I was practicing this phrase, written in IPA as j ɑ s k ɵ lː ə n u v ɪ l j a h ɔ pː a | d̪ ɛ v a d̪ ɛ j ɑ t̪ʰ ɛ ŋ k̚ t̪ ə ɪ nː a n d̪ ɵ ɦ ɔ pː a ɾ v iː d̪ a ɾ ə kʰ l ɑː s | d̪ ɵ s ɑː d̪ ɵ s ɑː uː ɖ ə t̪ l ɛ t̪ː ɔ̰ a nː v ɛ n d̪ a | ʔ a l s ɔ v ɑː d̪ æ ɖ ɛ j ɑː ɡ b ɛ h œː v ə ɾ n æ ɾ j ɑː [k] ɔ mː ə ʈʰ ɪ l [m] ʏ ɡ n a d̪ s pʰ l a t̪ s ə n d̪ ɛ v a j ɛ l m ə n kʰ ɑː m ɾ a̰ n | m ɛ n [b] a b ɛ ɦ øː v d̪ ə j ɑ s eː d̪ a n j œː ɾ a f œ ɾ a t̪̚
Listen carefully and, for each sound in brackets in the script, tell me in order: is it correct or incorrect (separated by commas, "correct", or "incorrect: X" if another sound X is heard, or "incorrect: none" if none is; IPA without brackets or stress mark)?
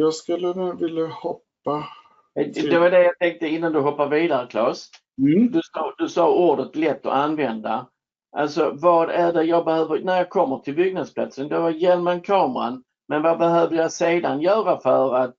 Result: incorrect: kʰ, incorrect: b, incorrect: v